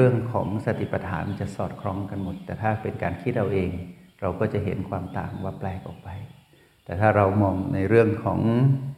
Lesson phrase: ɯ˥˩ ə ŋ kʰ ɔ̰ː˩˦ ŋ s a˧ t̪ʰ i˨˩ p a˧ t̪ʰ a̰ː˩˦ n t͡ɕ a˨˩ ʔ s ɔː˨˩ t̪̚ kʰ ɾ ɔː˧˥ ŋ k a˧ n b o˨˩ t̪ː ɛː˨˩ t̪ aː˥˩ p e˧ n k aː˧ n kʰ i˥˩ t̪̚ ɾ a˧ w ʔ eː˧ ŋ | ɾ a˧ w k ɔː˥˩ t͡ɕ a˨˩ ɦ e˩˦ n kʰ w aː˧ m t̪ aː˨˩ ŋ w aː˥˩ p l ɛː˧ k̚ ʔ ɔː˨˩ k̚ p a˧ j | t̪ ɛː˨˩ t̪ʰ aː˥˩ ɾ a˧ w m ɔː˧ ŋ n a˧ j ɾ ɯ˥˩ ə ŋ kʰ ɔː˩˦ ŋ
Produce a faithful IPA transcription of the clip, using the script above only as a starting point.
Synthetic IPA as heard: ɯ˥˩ ə ŋ kʰ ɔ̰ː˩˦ ŋ s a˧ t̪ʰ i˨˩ p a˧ t̪ʰ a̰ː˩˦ n t͡ɕ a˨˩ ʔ s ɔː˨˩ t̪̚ kʰ ɾ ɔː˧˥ ŋ k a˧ n m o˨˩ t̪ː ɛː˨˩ t̪ʰ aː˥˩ p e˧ n k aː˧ n kʰ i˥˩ t̪̚ ɾ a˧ w ʔ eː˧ ŋ | ɾ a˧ w k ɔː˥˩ t͡ɕ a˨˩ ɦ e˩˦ n kʰ w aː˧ m t̪ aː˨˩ ŋ w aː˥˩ p l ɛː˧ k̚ ʔ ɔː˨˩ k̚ p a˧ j | t̪ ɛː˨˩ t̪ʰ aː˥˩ ɾ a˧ w m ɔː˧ ŋ n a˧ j ɾ ɯ˥˩ ə ŋ kʰ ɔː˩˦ ŋ